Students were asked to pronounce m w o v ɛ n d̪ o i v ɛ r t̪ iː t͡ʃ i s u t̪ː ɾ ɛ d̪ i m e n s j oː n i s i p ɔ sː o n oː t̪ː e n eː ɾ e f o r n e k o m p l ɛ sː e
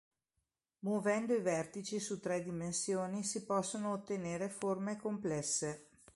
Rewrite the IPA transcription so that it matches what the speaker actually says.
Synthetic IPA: m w o v ɛ n d̪ o i v ɛ r t̪ i t͡ʃ i s u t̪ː ɾ ɛ d̪ i m e n s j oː n i s i p ɔ sː o n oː t̪ː e n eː ɾ e f o r m e k o m p l ɛ sː e